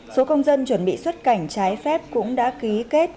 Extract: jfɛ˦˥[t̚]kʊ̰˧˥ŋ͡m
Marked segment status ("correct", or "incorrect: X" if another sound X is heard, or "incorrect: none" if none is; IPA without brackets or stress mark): incorrect: p̚